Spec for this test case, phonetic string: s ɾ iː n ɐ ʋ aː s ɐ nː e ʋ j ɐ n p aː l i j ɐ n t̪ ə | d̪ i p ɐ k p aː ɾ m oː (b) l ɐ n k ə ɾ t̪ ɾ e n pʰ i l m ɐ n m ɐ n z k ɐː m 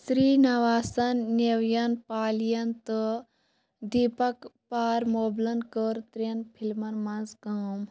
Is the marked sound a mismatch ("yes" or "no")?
no